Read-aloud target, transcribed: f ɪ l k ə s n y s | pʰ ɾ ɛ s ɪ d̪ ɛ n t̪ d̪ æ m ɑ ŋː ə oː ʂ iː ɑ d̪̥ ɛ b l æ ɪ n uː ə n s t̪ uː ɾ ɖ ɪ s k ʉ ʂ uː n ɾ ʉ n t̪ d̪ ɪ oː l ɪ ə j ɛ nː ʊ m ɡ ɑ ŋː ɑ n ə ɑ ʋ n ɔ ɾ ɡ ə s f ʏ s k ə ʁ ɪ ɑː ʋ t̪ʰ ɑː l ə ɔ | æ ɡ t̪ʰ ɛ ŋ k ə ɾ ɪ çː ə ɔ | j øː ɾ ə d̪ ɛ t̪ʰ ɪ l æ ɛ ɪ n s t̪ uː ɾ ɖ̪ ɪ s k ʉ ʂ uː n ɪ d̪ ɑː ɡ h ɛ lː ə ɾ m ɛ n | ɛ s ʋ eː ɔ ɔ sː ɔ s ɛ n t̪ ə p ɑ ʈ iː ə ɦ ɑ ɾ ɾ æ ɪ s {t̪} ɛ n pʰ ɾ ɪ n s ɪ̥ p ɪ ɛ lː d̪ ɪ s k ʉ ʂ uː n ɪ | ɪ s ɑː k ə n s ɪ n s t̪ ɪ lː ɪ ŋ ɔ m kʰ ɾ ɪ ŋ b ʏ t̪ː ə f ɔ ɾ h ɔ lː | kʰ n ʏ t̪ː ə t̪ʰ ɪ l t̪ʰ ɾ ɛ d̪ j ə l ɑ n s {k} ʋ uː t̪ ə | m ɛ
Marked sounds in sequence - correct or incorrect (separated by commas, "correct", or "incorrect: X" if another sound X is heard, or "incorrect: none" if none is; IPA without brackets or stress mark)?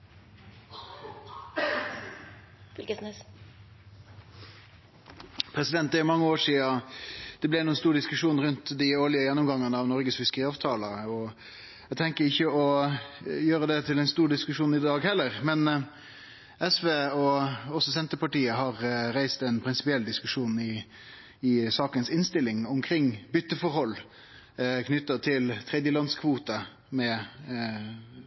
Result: correct, incorrect: kʰ